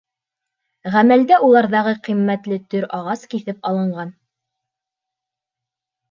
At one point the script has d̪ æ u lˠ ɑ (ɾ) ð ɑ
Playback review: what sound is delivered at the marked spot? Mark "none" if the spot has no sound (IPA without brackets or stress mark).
ɾ